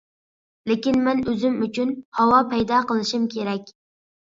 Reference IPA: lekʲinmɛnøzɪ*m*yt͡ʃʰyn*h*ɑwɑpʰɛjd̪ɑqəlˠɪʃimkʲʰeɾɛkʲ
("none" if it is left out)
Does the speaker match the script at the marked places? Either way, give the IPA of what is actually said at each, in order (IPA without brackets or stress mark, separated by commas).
m, h